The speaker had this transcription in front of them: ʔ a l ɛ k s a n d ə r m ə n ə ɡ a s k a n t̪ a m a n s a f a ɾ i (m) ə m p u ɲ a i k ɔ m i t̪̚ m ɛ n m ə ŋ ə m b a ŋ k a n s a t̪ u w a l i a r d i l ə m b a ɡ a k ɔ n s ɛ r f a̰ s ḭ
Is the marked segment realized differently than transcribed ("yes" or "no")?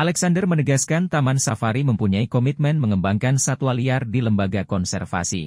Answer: no